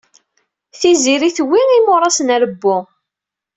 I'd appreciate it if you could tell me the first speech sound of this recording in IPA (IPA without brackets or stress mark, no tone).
θ